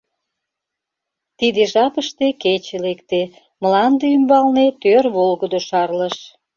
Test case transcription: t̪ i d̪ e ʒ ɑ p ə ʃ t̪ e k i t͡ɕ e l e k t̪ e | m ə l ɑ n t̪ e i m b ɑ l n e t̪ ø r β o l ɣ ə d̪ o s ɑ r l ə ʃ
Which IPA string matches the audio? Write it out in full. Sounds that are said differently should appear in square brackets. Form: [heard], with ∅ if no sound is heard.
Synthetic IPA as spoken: t̪ i d̪ e ʒ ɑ p ə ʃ t̪ e k [e] t͡ɕ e l e k t̪ e | m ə l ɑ n [d̪] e [y] m b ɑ l n e t̪ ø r β o l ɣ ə d̪ o [ʃ] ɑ r l ə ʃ